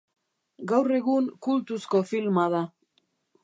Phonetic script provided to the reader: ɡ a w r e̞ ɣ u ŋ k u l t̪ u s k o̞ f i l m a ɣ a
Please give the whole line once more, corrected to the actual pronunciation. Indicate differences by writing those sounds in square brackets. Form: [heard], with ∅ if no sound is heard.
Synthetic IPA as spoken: ɡ a w r e̞ ɣ u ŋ k u l t̪ u s k o̞ f i l m a [ð] a